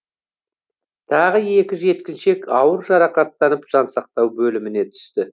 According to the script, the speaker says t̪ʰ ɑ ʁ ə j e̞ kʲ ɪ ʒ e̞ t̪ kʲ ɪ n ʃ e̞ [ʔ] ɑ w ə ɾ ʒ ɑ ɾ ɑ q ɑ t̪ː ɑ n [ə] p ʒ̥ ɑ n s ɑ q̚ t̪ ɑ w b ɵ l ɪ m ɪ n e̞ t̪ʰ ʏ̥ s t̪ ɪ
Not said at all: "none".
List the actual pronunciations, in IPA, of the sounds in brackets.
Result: k, ə

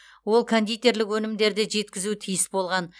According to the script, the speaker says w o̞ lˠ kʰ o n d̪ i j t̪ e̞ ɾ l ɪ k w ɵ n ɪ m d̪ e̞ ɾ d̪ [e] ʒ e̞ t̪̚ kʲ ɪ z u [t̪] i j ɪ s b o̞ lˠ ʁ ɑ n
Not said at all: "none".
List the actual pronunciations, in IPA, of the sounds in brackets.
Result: e, t̪ʰ

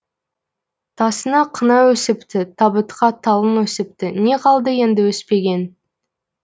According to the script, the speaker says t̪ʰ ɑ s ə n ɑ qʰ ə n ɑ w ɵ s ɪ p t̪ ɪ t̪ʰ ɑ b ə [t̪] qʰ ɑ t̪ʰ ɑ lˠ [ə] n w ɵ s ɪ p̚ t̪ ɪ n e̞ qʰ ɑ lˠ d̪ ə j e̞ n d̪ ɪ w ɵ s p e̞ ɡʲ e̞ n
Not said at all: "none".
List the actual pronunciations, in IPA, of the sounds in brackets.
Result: t̪, ə

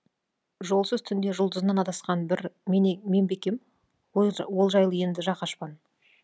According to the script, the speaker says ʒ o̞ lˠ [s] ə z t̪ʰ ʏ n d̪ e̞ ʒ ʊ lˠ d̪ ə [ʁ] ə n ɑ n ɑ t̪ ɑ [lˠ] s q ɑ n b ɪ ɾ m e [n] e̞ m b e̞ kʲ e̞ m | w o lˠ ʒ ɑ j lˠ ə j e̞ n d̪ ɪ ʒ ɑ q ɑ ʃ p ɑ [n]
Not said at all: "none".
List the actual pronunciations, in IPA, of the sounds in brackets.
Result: s, z, none, m, n

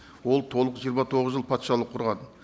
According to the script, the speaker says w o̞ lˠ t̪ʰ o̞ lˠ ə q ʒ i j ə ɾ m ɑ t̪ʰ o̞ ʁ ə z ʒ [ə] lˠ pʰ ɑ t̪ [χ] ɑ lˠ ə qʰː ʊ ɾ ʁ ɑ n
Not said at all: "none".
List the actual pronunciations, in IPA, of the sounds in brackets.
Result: ə, ʃ

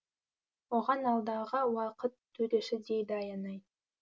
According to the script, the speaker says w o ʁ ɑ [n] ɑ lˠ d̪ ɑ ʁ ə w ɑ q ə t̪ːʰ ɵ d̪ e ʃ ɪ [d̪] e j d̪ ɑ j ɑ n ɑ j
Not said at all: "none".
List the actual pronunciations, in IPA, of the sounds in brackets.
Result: n, d̪

